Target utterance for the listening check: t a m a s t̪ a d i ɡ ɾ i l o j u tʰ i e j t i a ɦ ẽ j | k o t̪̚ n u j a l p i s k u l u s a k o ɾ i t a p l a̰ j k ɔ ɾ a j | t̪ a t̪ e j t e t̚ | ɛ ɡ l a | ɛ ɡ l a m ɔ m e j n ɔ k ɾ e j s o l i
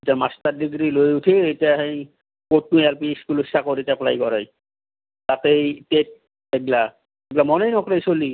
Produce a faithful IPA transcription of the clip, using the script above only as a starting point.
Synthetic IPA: t a m a s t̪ a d i ɡ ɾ i l o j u tʰ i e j t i a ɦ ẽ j | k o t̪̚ n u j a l p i s k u l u s a k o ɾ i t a p l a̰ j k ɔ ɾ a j | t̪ a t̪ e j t e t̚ | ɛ ɡ l a | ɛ ɡ l a m ɔ n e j n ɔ k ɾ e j s o l i